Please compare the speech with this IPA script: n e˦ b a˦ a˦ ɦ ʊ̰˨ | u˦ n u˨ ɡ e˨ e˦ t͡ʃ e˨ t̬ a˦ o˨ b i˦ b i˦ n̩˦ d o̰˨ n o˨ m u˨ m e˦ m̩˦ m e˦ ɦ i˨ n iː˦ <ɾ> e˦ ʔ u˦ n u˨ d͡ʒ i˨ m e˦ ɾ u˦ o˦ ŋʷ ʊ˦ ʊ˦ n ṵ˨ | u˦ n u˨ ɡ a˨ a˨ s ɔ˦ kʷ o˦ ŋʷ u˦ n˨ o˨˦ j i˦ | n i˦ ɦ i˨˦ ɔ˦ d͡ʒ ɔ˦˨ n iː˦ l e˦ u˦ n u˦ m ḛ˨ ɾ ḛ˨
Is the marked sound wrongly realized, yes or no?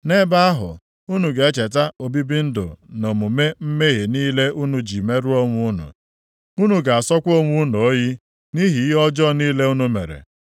yes